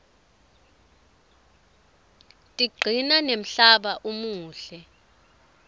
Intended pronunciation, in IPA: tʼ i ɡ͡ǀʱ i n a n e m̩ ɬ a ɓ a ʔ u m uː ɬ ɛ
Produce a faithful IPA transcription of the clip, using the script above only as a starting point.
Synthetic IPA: tʼ i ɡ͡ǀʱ i n a n e m̩ ɬ a ɓ a ʔ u m uː ɬ ɛ

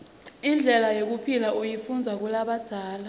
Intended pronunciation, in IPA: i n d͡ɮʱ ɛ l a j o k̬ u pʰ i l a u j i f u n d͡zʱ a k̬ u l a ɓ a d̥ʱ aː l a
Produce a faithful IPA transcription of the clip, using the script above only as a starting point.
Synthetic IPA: i n d͡ɮʱ ɛ l a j o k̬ u pʰ i l a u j i f u n d͡zʱ a k̬ u l a ɓ a d̥ʱ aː l a

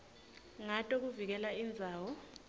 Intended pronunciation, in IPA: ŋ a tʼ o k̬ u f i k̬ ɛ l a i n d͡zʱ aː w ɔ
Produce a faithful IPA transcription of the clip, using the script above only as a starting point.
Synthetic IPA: ŋ a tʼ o k̬ u v i k̬ ɛ l a i n d͡zʱ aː w ɔ

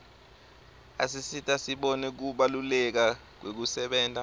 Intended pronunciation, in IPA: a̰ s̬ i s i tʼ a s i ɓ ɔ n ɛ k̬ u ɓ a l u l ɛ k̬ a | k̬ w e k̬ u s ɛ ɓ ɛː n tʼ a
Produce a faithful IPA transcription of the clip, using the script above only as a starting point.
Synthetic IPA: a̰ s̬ i s i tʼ a s i ɓ ɔ n ɛ k̬ u ɓ a l u l ɛ k̬ a | k̬ w e k̬ u s ɛ ɓ ɛː n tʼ a

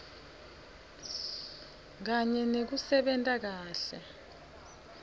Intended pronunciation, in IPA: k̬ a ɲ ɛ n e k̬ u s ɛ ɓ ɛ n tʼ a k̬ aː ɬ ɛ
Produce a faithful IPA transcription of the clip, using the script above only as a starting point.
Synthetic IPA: k̬ a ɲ ɛ n e k̬ u s ɛ ɓ ɛ n tʼ a k̬ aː ɬ ɛ

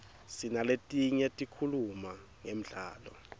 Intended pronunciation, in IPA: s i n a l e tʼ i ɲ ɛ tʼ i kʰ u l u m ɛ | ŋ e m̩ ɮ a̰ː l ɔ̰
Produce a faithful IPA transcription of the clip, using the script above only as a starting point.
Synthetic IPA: s i n a l e tʼ i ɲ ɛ tʼ i kʰ u l u m a | ŋ e m̩ ɮ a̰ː l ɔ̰

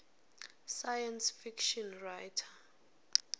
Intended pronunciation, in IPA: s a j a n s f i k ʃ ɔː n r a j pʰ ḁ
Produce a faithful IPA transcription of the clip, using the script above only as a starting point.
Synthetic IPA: s a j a n s f i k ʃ ɔ n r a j tʰ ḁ

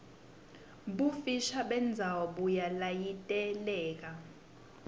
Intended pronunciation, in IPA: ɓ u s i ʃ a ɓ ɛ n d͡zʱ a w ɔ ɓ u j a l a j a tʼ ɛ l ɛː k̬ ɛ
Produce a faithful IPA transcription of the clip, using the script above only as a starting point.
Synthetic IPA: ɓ u f i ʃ a ɓ ɛ n d͡zʱ a w ɔ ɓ u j a l a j i tʼ ɛ l ɛː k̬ a

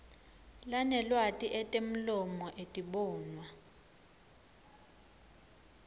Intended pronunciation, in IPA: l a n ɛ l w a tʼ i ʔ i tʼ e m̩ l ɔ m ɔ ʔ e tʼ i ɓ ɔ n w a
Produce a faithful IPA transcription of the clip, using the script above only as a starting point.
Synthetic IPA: l a n ɛ l w a tʼ i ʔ ɛ tʼ e m̩ l ɔ m ɔ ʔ e tʼ i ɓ ɔː n w a

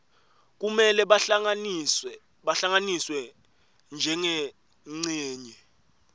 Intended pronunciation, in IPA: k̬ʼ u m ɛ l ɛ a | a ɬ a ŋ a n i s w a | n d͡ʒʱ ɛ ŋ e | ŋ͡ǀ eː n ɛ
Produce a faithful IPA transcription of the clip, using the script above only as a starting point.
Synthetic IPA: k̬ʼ u m ɛ l ɛ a | a ɬ a ŋ a n i s w ɛ | n d͡ʒʱ ɛ ŋ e | ŋ͡ǀ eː ɲ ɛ

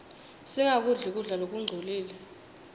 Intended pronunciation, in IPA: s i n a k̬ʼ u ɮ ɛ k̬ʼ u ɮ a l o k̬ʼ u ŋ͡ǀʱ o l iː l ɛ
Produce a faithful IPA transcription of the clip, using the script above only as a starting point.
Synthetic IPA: s i ŋ a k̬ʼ u ɮ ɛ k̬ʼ u ɮ a l o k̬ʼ u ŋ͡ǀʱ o l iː l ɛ

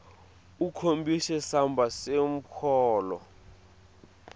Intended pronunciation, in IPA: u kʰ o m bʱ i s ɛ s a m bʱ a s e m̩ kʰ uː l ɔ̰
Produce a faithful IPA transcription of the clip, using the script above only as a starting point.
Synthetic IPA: u kʰ o m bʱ i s ɛ s a m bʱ a s e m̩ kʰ ɔː l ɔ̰

